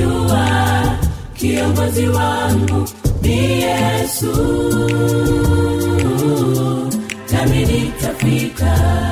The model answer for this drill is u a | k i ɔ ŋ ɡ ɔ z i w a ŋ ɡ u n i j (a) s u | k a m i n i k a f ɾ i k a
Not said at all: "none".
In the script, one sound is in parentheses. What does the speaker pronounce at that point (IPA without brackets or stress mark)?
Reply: ɛ